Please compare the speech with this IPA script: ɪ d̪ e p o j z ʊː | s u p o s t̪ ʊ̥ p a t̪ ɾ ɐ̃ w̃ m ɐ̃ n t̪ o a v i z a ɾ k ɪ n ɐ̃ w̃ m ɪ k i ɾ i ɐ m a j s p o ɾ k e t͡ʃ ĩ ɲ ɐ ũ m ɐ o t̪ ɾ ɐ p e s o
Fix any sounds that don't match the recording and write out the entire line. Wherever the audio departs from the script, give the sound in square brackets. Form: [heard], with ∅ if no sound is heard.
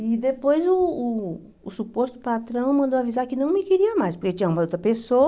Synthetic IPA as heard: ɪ d̪ e p o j z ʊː | s u p o s t̪ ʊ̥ p a t̪ ɾ ɐ̃ w̃ m ɐ̃ n [d̪] o a v i z a ɾ k ɪ n ɐ̃ w̃ m ɪ k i ɾ i ɐ m a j s p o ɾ k e t͡ʃ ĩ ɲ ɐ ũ m ɐ o t̪ ɾ ɐ p e s o